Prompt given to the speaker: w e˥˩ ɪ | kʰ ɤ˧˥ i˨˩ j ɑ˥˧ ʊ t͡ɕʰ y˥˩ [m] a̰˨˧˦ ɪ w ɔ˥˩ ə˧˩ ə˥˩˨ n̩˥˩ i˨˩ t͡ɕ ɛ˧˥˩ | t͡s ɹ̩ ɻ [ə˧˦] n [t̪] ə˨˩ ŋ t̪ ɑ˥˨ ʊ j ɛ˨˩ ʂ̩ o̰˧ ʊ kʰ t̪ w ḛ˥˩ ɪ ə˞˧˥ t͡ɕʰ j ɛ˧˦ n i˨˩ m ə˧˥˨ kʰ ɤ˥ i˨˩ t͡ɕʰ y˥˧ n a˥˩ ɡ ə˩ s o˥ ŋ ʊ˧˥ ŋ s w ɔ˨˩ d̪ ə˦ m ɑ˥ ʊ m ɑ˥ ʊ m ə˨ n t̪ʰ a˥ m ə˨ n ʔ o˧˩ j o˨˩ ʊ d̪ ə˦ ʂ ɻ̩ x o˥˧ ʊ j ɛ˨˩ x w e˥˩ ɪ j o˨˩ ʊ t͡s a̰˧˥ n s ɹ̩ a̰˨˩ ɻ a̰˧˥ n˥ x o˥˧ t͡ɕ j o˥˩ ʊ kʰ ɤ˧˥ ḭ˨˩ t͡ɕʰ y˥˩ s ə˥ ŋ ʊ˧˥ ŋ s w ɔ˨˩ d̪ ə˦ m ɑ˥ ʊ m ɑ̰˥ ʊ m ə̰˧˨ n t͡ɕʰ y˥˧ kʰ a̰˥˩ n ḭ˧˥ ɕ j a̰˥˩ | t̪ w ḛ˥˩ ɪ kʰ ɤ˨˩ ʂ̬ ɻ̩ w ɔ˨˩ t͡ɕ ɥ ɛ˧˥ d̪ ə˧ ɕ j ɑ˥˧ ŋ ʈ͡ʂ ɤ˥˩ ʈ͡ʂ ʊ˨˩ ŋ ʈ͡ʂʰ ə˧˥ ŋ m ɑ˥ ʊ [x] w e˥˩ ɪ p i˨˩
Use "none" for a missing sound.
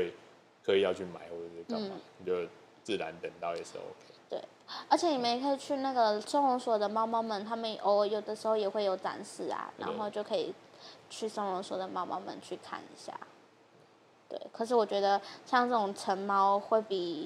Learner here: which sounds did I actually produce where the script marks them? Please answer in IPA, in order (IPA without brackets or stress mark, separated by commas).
m, a˧˦, t̪, x